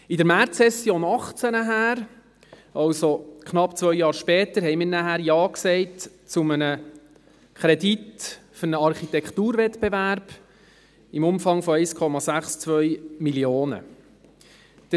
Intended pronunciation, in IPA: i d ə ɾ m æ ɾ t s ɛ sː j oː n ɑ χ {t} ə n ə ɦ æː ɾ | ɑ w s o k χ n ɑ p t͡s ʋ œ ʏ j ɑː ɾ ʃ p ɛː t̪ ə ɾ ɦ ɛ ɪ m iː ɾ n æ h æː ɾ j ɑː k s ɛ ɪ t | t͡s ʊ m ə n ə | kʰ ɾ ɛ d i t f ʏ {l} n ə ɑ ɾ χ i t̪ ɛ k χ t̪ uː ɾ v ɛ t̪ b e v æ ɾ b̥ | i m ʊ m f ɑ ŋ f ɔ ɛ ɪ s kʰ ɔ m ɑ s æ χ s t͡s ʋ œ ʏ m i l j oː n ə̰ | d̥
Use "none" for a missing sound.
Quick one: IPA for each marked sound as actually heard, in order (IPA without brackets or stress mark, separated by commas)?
t͡s, ɾ